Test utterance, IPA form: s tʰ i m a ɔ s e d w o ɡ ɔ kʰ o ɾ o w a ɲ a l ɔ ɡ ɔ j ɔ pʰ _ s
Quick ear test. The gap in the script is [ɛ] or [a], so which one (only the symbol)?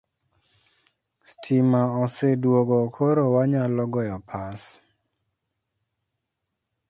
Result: a